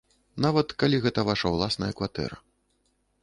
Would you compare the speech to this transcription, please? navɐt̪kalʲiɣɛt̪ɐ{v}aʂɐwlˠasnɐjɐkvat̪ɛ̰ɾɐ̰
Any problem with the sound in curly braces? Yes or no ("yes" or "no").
no